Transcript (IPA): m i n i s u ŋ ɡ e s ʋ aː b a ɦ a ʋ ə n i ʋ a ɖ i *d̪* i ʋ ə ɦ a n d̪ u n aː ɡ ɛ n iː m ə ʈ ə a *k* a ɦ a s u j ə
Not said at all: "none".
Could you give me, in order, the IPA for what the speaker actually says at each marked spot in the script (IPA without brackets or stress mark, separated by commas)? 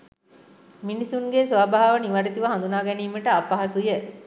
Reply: t̪, p